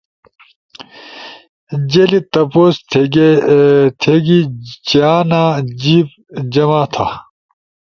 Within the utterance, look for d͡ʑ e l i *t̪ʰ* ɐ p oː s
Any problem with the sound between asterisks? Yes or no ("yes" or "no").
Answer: yes